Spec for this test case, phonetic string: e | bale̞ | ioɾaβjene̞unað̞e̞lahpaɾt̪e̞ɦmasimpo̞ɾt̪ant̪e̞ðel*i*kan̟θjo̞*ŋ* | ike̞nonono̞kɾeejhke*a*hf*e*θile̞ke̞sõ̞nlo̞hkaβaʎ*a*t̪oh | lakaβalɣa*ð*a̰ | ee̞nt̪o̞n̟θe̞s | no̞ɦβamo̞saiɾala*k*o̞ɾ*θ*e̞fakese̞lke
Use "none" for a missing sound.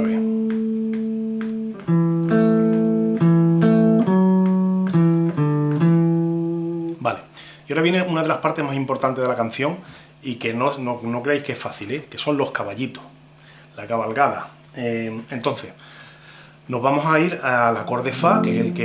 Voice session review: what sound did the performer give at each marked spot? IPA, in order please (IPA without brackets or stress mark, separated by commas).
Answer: a, ŋ, e, a, i, ð, k, ð